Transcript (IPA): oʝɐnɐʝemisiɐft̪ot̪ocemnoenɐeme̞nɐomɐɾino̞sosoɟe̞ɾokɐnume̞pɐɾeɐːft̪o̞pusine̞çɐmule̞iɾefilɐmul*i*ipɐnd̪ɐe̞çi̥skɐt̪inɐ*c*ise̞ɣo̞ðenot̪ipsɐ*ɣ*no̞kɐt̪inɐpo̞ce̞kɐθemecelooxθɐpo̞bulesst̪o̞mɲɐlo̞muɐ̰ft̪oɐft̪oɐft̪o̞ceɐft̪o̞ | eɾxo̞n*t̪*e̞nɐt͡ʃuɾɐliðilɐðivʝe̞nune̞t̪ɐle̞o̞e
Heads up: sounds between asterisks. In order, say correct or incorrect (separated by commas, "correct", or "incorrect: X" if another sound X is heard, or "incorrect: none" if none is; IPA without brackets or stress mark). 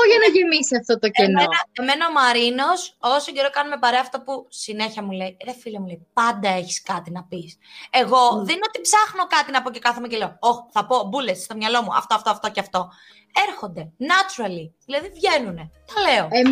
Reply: incorrect: e, incorrect: p, incorrect: x, incorrect: d̪